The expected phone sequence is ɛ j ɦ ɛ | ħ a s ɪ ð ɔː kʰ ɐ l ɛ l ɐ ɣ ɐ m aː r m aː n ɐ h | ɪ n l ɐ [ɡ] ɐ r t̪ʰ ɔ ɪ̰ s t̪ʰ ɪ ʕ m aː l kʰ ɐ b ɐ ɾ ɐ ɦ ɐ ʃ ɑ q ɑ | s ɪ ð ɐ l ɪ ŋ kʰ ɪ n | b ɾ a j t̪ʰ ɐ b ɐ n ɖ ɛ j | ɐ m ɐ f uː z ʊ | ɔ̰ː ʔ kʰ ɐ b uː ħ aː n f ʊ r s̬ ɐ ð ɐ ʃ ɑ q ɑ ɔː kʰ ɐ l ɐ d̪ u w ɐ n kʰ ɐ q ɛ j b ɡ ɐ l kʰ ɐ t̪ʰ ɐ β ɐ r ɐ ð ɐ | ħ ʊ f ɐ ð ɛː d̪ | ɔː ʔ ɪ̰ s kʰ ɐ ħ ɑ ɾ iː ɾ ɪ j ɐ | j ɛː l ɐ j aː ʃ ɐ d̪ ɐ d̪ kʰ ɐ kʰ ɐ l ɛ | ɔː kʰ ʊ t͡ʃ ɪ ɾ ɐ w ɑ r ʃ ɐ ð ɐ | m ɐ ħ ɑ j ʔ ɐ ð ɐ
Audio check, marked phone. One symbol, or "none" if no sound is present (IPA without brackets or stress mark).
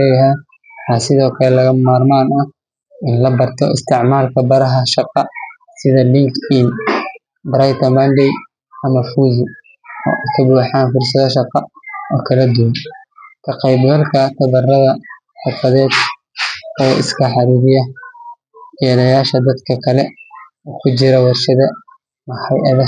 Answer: b